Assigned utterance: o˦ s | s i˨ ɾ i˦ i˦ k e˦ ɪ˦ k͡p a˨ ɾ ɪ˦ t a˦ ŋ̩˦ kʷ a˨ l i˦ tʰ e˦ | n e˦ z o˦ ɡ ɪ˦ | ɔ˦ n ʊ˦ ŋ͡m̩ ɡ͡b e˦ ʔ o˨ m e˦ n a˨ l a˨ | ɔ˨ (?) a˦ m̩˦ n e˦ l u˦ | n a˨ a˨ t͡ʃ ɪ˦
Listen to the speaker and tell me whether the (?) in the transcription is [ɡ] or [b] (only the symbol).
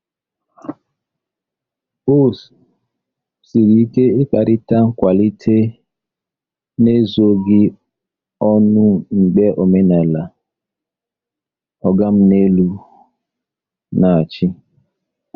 ɡ